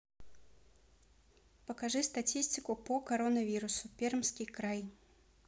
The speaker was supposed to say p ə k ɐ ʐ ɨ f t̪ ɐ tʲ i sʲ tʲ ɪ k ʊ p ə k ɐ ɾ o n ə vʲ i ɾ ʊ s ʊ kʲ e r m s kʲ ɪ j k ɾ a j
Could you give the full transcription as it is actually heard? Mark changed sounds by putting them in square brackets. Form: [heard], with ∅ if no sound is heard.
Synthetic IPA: p ə k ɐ ʐ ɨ [s] t̪ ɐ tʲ i sʲ tʲ ɪ k ʊ p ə k ɐ ɾ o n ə vʲ i ɾ ʊ s ʊ [pʲ] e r m s kʲ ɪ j k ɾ a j